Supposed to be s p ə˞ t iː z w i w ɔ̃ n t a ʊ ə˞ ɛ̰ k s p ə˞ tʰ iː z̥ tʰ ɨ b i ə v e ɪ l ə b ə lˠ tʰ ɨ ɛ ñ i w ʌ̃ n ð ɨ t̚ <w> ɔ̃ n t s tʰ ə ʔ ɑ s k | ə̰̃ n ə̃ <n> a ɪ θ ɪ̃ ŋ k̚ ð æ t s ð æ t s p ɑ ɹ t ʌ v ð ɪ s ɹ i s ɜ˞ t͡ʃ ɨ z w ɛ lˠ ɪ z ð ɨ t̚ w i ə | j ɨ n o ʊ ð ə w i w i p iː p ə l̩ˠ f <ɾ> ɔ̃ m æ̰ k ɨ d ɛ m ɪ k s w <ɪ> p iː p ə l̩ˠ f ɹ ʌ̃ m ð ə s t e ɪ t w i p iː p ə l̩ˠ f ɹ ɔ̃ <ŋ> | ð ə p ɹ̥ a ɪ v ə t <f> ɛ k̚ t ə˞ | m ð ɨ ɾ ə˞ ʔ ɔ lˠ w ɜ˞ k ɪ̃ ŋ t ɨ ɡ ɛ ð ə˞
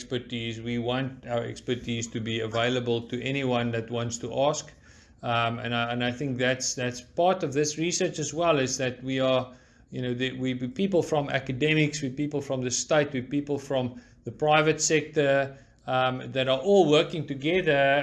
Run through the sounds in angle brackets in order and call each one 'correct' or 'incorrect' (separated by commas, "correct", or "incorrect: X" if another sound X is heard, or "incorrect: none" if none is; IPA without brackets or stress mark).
correct, correct, incorrect: ɹ, incorrect: i, incorrect: m, incorrect: s